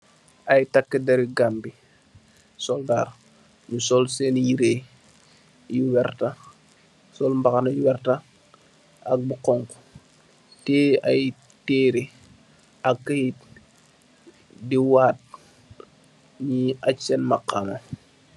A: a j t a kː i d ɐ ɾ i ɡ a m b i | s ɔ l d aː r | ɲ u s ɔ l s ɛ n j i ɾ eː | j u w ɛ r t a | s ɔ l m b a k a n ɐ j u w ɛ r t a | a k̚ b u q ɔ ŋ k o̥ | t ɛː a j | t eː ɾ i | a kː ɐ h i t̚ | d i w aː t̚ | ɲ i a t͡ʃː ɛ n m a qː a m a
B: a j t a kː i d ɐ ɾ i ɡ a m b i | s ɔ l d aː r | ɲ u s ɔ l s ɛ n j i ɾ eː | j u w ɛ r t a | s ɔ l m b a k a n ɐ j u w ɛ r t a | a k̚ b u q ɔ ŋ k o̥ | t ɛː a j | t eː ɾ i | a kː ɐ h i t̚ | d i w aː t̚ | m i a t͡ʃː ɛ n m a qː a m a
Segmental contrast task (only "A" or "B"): A